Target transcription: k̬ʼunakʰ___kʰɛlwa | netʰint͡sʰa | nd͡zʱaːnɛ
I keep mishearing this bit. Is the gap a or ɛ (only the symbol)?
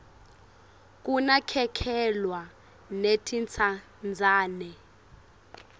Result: ɛ